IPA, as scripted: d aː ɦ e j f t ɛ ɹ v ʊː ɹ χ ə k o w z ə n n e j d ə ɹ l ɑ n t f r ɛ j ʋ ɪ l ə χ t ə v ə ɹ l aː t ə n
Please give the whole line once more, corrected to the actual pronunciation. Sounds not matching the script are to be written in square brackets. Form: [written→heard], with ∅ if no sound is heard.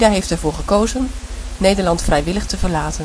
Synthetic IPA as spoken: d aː ɦ e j f t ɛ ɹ v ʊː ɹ χ ə k o w z ə n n e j d ə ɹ l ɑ n t f r ɛ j ʋ ɪ l ə χ t ə v ə ɹ l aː t ə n